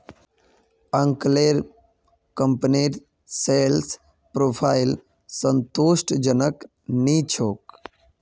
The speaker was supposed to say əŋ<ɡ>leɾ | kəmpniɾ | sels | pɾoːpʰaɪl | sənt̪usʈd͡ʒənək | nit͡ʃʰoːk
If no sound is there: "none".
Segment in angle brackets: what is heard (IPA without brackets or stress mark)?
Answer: k